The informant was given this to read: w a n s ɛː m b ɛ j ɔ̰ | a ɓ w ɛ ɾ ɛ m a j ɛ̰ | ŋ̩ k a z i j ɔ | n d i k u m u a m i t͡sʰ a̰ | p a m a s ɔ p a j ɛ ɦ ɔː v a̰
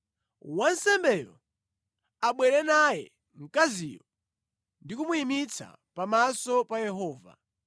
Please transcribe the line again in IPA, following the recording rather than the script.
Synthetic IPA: w a n s ɛ m b ɛ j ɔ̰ | a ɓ w ɛ ɾ ɛ n a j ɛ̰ | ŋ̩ k a z i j ɔ | n d i k u m u i m i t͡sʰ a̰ | p a m a s ɔ p a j ɛ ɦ ɔː v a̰